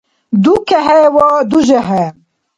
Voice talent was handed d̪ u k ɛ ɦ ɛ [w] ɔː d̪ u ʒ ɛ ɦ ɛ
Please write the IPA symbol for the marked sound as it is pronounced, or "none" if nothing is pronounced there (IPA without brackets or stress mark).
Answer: w